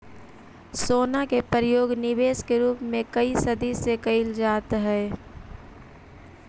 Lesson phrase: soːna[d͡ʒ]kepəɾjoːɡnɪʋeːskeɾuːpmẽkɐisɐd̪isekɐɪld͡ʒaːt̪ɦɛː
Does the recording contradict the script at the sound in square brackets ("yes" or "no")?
yes